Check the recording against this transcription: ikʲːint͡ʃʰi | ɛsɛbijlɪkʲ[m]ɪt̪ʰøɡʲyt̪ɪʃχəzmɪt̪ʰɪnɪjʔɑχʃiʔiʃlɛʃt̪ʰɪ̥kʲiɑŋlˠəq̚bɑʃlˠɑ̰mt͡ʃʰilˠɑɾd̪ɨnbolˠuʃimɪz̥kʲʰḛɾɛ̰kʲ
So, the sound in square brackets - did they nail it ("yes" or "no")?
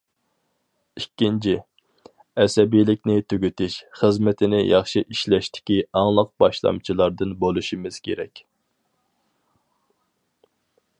no